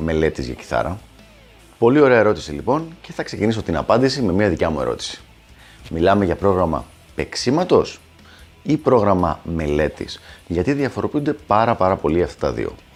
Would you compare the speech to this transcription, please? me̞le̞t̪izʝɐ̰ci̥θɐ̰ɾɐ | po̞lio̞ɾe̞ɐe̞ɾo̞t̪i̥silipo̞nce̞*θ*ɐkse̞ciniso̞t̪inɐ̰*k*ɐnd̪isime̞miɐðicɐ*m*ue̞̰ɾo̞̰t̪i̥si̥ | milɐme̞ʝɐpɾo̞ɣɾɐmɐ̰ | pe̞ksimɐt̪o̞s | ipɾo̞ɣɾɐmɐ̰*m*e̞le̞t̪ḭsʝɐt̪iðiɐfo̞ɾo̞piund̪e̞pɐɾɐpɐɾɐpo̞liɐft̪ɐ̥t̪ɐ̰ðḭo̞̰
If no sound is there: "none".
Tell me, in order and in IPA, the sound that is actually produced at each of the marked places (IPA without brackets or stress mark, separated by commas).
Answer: θ, p, m, m